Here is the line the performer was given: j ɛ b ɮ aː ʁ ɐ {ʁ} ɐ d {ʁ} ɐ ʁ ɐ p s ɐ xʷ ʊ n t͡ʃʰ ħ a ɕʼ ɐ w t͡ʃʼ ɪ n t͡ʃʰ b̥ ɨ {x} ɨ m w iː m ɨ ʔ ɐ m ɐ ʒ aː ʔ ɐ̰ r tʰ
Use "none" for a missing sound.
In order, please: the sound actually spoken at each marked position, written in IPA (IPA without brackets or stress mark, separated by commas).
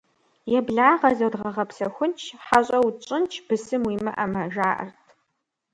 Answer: z, ʁ, s